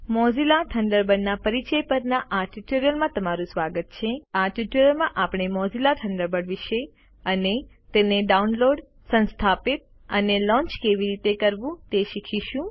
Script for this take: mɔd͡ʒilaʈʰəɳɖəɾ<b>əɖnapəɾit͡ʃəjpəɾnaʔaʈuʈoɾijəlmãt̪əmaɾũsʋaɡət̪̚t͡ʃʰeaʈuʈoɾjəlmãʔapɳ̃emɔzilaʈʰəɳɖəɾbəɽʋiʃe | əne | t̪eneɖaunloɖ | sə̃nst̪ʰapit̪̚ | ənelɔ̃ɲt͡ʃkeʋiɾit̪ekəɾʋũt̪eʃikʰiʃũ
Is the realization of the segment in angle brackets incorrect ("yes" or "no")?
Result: no